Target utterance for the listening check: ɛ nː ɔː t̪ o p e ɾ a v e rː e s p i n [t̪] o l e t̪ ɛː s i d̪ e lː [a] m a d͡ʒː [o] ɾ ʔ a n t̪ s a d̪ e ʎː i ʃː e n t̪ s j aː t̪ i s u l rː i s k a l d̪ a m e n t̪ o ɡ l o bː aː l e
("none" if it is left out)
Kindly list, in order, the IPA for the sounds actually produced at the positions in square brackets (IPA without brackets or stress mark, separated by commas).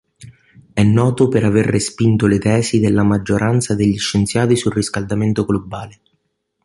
t̪, a, o